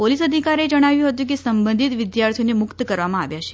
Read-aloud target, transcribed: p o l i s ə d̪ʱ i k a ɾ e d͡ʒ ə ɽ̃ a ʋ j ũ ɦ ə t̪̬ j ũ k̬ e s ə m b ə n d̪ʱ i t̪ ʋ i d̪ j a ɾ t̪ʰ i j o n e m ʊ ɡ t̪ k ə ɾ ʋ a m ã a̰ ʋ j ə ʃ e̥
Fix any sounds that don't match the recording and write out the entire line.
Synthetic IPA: p o l i s ə d̪ʱ i k a ɾ e d͡ʒ ə ɽ̃ a ʋ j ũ ɦ ə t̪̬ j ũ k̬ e s ə m b ə n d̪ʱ i t̪ ʋ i d̪ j a ɾ t̪ʰ i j o n e m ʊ k t̪ k ə ɾ ʋ a m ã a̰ ʋ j a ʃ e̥